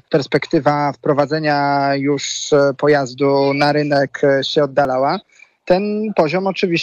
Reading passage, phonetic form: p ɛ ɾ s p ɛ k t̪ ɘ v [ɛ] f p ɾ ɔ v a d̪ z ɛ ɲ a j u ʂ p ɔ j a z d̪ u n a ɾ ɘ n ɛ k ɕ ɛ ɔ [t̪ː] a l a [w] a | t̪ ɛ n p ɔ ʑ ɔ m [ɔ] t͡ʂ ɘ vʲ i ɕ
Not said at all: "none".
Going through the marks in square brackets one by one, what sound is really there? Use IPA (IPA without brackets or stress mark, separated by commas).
a, d̪ː, w, ɔ